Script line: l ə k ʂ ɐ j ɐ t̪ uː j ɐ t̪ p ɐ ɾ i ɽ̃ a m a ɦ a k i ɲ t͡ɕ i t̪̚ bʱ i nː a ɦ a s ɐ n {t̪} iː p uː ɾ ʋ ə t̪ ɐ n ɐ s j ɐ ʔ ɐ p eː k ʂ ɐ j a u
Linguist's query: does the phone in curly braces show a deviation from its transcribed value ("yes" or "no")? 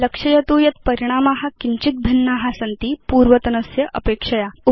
no